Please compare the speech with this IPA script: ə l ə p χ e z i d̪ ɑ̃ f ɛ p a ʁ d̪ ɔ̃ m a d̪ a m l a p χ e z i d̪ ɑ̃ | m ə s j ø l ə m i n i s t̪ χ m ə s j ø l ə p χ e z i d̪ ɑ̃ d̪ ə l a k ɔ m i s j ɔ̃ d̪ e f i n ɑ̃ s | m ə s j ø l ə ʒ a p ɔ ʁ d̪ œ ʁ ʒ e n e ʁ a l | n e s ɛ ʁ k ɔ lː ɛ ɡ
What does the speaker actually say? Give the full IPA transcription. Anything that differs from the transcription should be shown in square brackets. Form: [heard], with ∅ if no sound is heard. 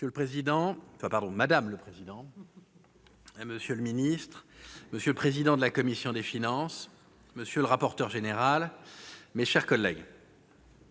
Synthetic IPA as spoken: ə l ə p χ e z i d̪ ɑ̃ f [a] p a ʁ d̪ ɔ̃ m a d̪ a m l [ə] p χ e z i d̪ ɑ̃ | m ə s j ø l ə m i n i s t̪ χ m ə s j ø l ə p χ e z i d̪ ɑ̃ d̪ ə l a k ɔ m i s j ɔ̃ d̪ e f i n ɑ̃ s | m ə s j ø l ə [ʁ] a p ɔ ʁ [t̪] œ ʁ ʒ e n e ʁ a l | [m] e [ʃ] ɛ ʁ k ɔ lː ɛ ɡ

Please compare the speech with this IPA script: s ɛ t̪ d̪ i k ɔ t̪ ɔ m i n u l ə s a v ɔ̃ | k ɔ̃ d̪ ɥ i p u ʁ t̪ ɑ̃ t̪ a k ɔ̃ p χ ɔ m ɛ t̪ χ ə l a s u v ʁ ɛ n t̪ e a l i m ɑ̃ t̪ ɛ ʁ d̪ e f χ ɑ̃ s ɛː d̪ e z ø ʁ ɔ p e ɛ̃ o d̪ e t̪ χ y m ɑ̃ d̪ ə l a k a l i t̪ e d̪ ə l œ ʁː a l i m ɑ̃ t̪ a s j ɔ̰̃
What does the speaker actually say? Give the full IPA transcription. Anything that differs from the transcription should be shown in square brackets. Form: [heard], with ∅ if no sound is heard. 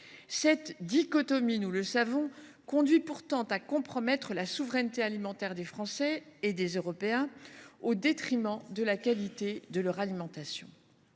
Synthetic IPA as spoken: s ɛ t̪ d̪ i k ɔ t̪ ɔ m i n u l ə s a v ɔ̃ | k ɔ̃ d̪ ɥ i p u ʁ t̪ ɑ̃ t̪ a k ɔ̃ p χ ɔ m ɛ t̪ χ ə l a s u v ʁ ɛ n t̪ e a l i m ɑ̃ t̪ ɛ ʁ d̪ e f χ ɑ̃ s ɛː d̪ e z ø ʁ ɔ p e ɛ̃ o d̪ e t̪ χ [i] m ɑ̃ d̪ ə l a k a l i t̪ e d̪ ə l œ [ʁ] a l i m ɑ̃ t̪ a s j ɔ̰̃

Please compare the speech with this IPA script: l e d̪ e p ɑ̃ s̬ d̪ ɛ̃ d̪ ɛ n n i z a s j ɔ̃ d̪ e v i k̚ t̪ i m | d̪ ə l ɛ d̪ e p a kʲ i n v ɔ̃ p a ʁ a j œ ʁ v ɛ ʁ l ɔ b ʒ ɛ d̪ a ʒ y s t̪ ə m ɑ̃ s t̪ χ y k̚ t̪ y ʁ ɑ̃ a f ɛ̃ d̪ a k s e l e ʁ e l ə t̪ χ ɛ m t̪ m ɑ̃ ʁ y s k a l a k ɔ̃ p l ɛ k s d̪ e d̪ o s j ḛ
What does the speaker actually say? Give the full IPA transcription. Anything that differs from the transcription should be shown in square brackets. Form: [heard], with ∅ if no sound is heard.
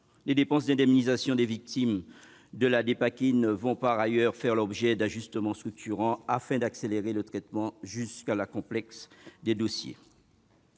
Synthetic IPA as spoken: l e d̪ e p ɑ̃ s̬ d̪ ɛ̃ d̪ ɛ [m] n i z a s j ɔ̃ d̪ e v i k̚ t̪ i m | d̪ ə l [a] d̪ e p a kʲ i n v ɔ̃ p a ʁ a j œ ʁ [f] ɛ ʁ l ɔ b ʒ ɛ d̪ a ʒ y s t̪ ə m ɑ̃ s t̪ χ y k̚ t̪ y ʁ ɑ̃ a f ɛ̃ d̪ a k s e l e ʁ e l ə t̪ χ ɛ [∅] t̪ m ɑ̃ [ʒ] y s k a l a k ɔ̃ p l ɛ k s d̪ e d̪ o s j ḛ

